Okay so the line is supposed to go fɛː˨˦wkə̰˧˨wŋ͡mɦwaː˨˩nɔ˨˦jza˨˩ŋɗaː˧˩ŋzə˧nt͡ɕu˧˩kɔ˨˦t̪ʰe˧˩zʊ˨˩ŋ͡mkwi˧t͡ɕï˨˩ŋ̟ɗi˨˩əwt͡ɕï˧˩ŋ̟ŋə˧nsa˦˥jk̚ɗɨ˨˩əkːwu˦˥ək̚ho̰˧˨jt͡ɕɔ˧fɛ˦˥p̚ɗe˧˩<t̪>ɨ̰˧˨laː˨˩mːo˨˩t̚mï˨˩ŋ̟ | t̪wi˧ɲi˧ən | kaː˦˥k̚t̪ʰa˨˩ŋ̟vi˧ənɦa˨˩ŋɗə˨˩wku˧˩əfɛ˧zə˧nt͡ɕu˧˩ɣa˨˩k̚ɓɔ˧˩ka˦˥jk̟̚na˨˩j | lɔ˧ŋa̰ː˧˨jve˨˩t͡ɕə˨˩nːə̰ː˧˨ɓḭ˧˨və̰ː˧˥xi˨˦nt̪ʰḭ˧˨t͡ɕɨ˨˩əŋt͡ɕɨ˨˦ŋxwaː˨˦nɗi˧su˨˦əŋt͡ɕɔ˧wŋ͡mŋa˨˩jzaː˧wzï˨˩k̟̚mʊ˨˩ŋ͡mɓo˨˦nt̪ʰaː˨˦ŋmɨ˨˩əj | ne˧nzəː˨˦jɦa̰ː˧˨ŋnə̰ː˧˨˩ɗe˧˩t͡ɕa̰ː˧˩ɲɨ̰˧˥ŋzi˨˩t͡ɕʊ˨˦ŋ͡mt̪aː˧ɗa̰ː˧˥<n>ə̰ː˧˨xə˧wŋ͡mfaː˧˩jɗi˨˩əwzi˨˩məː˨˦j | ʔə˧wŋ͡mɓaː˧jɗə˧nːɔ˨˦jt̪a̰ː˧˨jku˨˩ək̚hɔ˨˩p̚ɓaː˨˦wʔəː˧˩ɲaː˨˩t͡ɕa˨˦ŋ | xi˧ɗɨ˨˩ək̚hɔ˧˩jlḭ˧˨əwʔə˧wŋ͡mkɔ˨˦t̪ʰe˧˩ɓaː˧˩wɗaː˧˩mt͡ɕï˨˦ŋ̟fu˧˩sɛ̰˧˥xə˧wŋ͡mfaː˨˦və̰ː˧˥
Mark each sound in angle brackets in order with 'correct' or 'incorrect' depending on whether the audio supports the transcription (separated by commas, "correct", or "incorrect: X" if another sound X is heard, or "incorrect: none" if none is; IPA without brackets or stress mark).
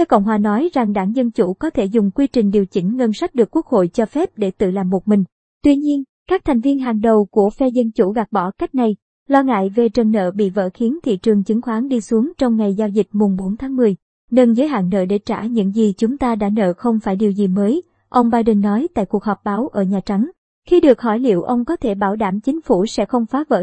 correct, correct